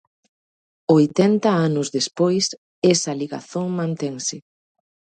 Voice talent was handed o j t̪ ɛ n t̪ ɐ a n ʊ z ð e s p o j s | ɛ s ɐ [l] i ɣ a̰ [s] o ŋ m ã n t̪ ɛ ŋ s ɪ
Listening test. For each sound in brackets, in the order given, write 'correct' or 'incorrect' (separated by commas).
correct, incorrect